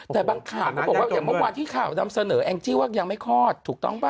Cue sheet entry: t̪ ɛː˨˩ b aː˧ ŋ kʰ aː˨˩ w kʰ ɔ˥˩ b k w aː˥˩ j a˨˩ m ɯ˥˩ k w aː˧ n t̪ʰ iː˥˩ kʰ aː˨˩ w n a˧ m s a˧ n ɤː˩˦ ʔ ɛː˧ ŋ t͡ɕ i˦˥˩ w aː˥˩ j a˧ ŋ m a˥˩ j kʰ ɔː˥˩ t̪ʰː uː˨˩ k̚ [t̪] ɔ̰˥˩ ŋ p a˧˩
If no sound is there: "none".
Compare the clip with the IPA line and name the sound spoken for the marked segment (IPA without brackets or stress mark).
t̪